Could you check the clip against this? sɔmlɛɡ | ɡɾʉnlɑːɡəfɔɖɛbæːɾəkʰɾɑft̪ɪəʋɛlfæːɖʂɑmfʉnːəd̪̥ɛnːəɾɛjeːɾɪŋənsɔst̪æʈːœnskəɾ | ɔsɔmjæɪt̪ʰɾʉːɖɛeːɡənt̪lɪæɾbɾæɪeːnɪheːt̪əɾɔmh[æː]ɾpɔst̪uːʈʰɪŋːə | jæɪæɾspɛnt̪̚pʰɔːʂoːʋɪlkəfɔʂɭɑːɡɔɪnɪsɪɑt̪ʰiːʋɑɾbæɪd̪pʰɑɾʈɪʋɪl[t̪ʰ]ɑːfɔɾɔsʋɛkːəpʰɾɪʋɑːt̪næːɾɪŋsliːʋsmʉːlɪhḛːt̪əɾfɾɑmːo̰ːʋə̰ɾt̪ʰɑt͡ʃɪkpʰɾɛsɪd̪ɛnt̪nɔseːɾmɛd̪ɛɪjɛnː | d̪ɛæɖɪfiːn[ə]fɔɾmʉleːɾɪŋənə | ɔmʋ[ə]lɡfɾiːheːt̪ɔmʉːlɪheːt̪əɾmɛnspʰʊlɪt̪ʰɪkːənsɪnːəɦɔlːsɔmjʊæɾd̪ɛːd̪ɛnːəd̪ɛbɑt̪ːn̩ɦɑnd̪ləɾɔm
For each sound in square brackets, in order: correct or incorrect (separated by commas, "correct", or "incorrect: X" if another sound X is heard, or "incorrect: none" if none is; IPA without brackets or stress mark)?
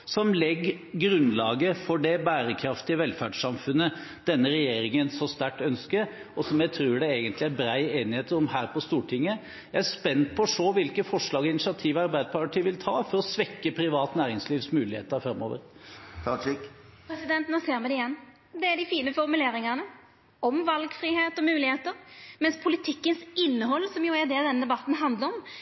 correct, correct, correct, incorrect: ɑ